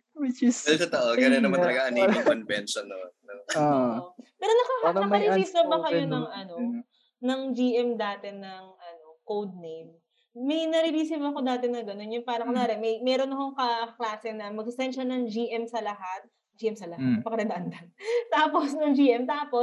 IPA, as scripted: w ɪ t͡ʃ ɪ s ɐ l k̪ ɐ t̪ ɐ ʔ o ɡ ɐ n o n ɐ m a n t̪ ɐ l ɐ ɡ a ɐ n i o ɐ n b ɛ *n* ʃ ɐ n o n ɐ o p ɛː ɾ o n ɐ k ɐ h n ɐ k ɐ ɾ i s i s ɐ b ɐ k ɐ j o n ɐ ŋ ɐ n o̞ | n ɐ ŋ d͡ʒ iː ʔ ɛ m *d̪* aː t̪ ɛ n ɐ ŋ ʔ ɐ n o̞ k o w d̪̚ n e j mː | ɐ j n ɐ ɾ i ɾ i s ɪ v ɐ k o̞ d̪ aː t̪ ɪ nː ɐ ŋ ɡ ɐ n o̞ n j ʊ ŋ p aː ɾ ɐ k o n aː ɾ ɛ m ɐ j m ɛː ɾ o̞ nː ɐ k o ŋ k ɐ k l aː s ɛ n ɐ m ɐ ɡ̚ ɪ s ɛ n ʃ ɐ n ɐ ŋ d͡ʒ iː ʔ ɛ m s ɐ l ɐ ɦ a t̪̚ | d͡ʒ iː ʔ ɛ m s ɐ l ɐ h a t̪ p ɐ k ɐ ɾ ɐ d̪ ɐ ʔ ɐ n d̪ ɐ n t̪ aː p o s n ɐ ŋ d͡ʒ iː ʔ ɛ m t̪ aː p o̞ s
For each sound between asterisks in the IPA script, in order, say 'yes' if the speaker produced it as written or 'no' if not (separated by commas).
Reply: yes, yes